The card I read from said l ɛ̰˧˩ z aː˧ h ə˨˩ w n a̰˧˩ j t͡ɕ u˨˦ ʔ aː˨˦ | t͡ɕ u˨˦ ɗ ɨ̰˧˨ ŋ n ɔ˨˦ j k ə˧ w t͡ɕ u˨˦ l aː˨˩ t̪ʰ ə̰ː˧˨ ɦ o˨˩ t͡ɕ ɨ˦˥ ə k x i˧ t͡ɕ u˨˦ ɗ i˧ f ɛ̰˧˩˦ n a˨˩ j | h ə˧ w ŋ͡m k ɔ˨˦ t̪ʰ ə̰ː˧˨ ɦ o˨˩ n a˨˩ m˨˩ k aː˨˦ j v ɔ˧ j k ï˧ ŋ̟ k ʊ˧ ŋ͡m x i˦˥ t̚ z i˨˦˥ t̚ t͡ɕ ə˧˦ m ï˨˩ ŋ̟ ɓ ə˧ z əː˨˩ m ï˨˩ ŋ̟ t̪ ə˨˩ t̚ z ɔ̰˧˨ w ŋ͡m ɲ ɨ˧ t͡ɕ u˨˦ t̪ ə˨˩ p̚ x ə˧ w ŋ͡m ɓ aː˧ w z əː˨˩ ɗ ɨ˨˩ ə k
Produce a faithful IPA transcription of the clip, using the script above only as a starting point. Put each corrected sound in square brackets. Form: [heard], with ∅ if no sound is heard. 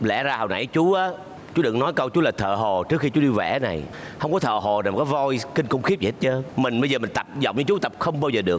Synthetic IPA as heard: l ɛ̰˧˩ z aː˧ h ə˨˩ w n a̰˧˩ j t͡ɕ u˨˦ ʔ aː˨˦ | t͡ɕ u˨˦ ɗ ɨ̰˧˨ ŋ n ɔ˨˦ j k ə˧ w t͡ɕ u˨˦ l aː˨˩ t̪ʰ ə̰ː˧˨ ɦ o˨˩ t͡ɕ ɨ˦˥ ə k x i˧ t͡ɕ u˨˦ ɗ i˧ [v] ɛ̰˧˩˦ n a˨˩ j | h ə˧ w ŋ͡m k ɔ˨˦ t̪ʰ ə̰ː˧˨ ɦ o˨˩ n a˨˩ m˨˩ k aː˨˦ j v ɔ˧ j k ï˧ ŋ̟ k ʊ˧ ŋ͡m x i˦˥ [p̚] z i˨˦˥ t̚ t͡ɕ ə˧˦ m ï˨˩ ŋ̟ ɓ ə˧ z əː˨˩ m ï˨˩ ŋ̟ t̪ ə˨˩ [p̚] z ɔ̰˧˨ w ŋ͡m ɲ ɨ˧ t͡ɕ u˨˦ t̪ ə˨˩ p̚ x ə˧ w ŋ͡m ɓ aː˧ w z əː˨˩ ɗ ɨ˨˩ ə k